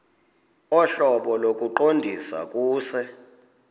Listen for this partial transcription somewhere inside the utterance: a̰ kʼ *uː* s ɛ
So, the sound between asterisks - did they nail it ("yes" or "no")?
yes